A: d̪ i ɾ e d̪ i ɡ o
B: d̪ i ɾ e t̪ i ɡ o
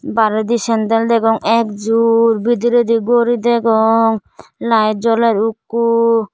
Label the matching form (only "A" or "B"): A